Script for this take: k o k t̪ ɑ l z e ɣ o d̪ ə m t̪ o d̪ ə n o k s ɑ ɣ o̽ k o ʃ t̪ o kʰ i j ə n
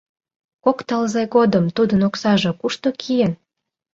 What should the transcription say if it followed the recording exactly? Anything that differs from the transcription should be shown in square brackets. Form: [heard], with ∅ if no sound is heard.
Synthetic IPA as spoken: k o k t̪ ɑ l z e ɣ o d̪ ə m t̪ [u] d̪ ə n o k s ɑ [ʒ] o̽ k [u] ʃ t̪ o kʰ i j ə n